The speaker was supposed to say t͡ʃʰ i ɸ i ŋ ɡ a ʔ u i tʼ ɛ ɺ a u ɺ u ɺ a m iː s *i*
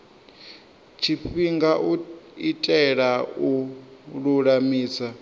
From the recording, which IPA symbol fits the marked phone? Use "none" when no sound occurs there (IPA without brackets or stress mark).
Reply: a